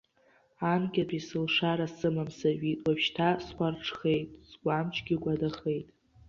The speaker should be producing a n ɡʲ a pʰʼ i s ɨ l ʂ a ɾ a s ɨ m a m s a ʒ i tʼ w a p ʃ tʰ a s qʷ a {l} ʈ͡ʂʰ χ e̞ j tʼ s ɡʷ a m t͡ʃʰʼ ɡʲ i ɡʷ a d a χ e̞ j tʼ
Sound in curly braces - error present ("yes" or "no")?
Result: yes